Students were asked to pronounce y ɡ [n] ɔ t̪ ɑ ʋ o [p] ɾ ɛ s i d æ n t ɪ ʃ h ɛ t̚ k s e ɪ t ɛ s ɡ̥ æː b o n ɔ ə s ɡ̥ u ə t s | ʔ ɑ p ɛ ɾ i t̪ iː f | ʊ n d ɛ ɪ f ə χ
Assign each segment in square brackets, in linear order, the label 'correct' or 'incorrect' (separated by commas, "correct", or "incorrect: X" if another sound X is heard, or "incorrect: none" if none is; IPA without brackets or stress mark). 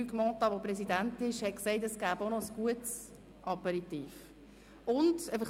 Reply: incorrect: m, correct